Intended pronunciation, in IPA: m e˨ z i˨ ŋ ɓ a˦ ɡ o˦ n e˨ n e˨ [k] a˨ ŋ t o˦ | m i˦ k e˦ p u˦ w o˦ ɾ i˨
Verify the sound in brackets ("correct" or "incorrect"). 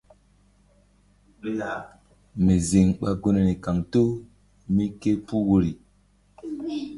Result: correct